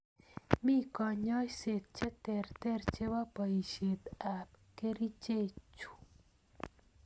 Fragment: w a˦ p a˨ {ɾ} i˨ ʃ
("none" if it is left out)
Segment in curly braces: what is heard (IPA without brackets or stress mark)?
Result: none